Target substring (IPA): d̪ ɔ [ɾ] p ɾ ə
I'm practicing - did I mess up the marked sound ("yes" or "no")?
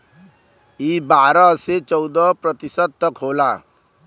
yes